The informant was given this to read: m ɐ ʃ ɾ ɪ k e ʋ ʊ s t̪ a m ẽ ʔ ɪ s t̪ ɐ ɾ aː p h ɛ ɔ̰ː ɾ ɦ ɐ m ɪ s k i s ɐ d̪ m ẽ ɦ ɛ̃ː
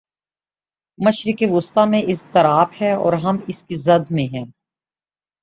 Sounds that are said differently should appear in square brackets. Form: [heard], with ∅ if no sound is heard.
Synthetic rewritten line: m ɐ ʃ ɾ ɪ k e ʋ ʊ s t̪ a m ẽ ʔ ɪ s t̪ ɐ ɾ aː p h ɛ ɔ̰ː ɾ ɦ ɐ m ɪ s k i [z] ɐ d̪ m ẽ ɦ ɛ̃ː

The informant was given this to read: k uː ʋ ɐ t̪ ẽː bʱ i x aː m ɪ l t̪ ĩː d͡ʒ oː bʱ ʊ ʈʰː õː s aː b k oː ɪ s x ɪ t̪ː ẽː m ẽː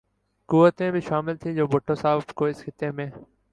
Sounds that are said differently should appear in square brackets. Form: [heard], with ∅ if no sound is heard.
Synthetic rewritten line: k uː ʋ [ə] t̪ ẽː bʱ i [ʃ] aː m ɪ l [t̪ʰ] ĩː d͡ʒ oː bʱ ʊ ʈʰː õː s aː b k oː ɪ s x ɪ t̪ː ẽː m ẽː

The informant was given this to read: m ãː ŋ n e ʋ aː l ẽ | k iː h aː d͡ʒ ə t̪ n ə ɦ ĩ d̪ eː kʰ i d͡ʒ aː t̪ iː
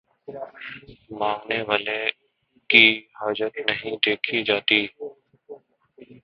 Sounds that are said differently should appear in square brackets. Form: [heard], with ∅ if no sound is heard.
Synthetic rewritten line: m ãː ŋ n e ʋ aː l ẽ | k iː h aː d͡ʒ ə t̪ n ə ɦ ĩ d̪ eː kʰ i d͡ʒ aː t̪ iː

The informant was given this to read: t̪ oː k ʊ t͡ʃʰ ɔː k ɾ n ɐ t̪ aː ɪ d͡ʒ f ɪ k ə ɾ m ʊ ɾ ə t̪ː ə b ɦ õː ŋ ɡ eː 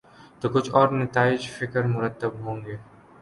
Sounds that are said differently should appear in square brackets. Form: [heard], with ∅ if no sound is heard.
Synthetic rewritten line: t̪ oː k ʊ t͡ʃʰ ɔː [∅] ɾ n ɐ t̪ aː ɪ d͡ʒ f ɪ k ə ɾ m ʊ ɾ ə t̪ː ə b ɦ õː ŋ ɡ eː

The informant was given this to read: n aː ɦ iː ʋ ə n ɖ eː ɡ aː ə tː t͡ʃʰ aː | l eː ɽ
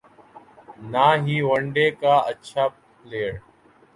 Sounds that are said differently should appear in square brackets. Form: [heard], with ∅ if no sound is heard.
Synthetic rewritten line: n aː ɦ iː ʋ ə [ɳ] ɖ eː [k] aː ə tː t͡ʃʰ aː | l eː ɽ

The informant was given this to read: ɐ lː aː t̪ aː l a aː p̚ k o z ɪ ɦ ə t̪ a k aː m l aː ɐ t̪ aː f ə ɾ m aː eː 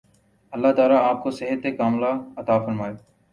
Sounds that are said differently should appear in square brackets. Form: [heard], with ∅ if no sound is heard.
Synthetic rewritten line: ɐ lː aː t̪ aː l a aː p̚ k o [s] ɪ ɦ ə t̪ [e] k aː m l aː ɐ t̪ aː f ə ɾ m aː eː

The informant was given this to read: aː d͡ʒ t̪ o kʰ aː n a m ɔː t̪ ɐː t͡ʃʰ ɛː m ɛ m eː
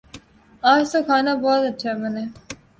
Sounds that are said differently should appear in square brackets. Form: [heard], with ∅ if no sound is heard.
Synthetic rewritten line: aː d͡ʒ t̪ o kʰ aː n a [b] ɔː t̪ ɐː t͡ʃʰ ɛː m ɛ [n] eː

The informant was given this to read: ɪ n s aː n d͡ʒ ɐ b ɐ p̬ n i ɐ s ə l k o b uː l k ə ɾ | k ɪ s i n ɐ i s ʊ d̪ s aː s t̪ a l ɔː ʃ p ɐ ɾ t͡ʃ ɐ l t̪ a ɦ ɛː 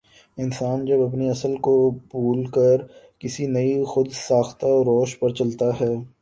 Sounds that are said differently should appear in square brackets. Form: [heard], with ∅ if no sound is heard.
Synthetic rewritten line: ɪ n s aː n d͡ʒ ɐ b ɐ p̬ n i ɐ s ə l k o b uː l k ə ɾ | k ɪ s i n ɐ i [x] ʊ d̪ s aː [x] t̪ a [ɾ] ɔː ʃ p ɐ ɾ t͡ʃ ɐ l t̪ a ɦ ɛː

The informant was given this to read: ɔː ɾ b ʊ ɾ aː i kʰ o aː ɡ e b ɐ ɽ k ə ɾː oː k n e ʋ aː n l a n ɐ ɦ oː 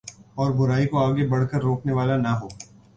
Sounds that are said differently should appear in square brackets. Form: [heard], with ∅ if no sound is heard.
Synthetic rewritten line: ɔː ɾ b ʊ ɾ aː i [k] o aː ɡ e b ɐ ɽ k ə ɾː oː k n e ʋ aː [∅] l a n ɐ ɦ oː

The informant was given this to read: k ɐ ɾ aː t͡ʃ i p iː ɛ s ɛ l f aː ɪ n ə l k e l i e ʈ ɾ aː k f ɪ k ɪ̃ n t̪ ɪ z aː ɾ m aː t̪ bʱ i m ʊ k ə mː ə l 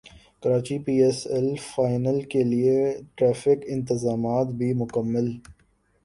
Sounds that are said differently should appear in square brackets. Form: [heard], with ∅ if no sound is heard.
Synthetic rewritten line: k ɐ ɾ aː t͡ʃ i p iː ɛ s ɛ l f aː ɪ n ə l k e l i e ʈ ɾ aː [∅] f ɪ k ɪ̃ n t̪ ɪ z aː [∅] m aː t̪ bʱ i m ʊ k ə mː ə l

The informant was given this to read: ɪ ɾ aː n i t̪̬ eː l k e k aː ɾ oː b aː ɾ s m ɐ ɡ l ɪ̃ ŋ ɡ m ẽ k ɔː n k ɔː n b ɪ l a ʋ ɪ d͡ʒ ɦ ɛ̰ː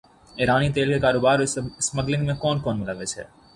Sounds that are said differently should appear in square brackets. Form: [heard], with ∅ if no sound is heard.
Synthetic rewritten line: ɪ ɾ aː n i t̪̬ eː l k e k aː ɾ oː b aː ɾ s m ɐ ɡ l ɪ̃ ŋ ɡ m ẽ k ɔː n k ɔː n [m] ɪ l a ʋ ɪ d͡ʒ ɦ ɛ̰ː

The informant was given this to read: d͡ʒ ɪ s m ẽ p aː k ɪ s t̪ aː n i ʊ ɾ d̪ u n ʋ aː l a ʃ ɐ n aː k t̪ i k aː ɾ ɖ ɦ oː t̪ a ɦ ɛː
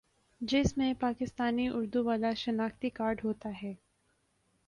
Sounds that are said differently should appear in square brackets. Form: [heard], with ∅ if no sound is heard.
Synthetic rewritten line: d͡ʒ ɪ s m ẽ p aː k ɪ s t̪ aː n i ʊ ɾ d̪ u [∅] ʋ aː l a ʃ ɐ n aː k t̪ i k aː ɾ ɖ ɦ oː t̪ a ɦ ɛː

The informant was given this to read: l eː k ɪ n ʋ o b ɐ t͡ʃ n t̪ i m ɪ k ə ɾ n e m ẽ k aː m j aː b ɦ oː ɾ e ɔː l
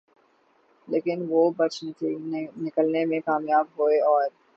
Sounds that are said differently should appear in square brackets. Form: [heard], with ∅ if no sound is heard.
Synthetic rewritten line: l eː k ɪ n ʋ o b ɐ t͡ʃ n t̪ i [n] ɪ k ə [l] n e m ẽ k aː m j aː b ɦ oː [∅] e ɔː [ɾ]

